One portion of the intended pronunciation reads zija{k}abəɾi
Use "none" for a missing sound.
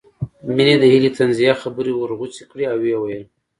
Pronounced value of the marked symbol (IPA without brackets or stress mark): x